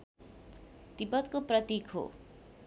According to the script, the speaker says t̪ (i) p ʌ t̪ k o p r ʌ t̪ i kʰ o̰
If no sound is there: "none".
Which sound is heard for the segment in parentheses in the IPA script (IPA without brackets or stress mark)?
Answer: i